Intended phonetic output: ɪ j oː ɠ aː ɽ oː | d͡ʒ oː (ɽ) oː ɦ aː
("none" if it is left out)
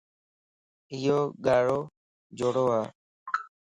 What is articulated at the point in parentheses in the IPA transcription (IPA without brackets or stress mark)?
ɽ